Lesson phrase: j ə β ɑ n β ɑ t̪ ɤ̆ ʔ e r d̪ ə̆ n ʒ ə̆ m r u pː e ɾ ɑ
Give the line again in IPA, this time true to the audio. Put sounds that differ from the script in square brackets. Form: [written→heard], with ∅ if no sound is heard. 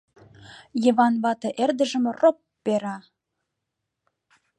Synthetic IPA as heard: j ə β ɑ n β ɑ t̪ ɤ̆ ʔ e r d̪ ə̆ [n→∅] ʒ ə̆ m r [u→o] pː e ɾ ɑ